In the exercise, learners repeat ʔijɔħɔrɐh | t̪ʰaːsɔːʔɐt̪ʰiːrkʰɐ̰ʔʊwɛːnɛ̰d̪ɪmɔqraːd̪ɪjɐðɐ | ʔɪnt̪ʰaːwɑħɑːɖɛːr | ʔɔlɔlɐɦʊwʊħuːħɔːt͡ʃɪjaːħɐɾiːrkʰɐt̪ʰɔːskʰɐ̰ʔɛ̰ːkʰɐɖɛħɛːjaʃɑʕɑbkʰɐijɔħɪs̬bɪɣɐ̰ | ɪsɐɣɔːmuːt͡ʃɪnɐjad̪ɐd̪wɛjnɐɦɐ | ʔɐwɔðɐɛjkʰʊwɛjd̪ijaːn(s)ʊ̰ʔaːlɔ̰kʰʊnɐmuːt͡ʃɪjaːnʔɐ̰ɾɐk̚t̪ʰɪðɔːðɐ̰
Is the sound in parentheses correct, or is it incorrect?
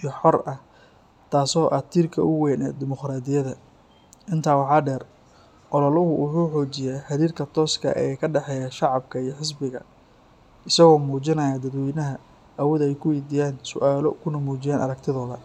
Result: correct